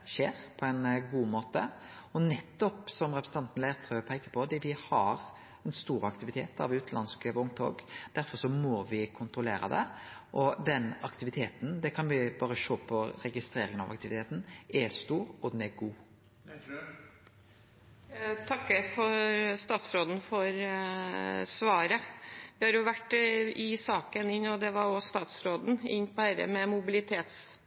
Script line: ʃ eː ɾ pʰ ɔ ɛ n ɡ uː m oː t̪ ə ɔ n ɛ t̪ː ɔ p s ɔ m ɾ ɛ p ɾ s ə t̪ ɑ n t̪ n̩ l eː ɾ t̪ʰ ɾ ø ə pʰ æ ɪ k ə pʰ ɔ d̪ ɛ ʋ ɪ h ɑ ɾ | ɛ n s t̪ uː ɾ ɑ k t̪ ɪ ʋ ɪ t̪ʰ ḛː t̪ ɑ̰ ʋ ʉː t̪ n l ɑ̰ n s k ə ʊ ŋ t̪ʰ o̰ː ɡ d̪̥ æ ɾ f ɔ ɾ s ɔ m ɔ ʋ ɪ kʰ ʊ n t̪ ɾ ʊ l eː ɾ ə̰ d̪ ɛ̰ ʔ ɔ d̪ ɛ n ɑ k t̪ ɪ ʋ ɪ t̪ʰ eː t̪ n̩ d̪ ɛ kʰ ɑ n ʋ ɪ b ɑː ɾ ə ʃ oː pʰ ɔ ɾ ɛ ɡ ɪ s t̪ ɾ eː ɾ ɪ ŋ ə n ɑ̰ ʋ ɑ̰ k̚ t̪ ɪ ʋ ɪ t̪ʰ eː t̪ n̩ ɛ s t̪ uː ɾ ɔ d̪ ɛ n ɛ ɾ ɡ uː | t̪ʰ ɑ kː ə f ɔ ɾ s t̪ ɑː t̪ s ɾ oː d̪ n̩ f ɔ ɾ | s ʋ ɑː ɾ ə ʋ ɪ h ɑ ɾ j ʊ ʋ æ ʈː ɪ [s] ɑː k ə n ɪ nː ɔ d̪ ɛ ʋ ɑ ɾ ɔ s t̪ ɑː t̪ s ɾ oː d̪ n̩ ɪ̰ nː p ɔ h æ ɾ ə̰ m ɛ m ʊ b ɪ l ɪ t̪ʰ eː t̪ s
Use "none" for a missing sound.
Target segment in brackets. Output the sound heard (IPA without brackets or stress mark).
s